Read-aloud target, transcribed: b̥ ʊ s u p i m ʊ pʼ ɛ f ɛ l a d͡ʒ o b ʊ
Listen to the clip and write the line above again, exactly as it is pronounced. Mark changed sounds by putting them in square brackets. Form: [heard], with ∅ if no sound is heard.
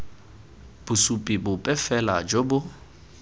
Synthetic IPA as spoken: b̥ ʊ s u [pʼ] i [b] ʊ pʼ ɛ f ɛ l a d͡ʒ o b ʊ